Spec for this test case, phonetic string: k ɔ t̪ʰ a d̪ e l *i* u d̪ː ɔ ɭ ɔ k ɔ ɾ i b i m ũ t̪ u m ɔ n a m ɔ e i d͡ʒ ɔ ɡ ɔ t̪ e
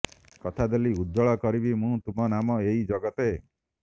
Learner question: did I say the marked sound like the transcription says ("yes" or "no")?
yes